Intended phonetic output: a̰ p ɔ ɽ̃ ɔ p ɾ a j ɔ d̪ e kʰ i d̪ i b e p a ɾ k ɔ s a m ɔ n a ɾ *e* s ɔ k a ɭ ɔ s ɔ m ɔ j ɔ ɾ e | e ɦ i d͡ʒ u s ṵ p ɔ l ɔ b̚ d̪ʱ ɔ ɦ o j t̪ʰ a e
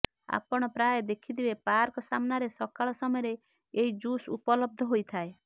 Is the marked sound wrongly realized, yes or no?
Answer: no